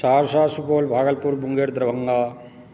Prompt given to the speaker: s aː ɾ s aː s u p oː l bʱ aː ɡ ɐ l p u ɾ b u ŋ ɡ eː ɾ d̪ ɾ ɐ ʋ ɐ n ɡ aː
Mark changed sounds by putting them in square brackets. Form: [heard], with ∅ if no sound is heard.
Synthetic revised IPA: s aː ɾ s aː s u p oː l bʱ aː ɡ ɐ l p u ɾ b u ŋ ɡ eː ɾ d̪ ɾ ɐ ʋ ɐ [ŋ] ɡ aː

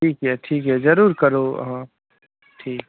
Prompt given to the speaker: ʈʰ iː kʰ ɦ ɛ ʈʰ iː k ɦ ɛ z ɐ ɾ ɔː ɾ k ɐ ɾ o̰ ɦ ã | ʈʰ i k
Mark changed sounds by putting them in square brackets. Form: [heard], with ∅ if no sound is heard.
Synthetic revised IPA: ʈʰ iː [k] ɦ ɛ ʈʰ iː k ɦ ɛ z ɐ ɾ [uː] ɾ k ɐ ɾ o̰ ɦ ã | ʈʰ [iː] k

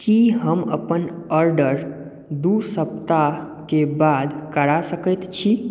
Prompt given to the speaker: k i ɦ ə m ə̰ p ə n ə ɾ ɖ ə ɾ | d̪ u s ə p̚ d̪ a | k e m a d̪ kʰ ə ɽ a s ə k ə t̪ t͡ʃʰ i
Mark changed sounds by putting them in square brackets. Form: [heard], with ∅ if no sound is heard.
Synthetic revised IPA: k i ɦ ə m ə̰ p ə n ə ɾ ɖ ə ɾ | d̪ u s ə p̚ [t̪] a | k e [b] a d̪ [k] ə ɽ a s ə k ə t̪ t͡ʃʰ i

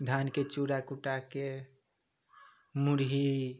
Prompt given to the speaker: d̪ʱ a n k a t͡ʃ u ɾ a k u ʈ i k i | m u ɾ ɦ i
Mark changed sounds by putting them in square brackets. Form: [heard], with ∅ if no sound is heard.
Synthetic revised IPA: d̪ʱ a n k [e] t͡ʃ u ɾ a k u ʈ [a] k [e] | m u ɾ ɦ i

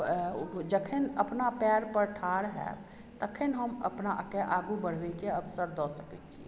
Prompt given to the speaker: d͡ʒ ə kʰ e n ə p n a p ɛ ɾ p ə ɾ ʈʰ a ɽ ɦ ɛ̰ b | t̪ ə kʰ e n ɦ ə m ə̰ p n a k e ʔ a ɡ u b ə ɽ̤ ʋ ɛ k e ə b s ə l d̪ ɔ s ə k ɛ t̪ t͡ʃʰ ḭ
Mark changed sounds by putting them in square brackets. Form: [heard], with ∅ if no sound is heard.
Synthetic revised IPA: d͡ʒ ə kʰ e n ə p n a p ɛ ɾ p ə ɾ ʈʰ a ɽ ɦ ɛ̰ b | t̪ ə kʰ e n ɦ ə m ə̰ p n a k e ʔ a ɡ u b ə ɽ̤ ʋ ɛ k e ə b s ə [ɾ] d̪ ɔ s ə k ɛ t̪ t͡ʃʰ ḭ

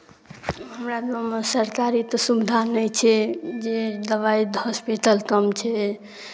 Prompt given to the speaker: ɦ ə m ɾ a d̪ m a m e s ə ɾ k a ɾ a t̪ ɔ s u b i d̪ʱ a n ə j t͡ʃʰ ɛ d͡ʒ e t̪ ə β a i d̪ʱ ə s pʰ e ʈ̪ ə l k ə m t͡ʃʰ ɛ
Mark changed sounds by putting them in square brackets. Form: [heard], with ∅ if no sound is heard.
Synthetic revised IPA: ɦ ə m ɾ a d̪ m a m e s ə ɾ k a ɾ [i] t̪ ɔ s u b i d̪ʱ a n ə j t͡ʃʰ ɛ d͡ʒ e [d̪] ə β a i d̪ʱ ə s [p] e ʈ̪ ə l k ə m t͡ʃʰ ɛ

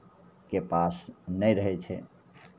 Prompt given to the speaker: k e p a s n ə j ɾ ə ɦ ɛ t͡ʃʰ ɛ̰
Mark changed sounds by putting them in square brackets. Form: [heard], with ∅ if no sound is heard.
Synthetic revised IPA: k e p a s n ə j ɾ ə ɦ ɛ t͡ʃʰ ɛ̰

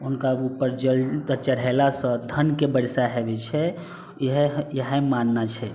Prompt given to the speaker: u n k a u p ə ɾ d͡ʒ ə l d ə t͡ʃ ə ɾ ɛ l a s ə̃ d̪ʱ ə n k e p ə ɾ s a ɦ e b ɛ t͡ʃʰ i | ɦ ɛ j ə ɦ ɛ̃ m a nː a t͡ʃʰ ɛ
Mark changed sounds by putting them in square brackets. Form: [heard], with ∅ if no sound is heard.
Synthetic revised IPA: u n k a u p ə ɾ d͡ʒ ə l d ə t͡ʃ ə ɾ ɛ l a s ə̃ d̪ʱ ə n k e [b] ə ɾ s a ɦ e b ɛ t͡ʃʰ [ɛ] | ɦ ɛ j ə ɦ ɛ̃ m a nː a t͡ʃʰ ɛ

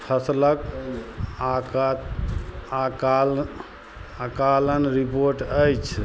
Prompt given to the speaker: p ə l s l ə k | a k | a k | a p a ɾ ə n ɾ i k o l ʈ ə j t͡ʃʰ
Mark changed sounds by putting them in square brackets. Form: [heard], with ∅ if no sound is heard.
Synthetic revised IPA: [pʰ] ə [∅] s l ə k | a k | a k | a [k] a [l] ə n ɾ i [p] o [ɾ] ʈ ə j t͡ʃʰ

